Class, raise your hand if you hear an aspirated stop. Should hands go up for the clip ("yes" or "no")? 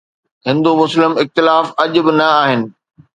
no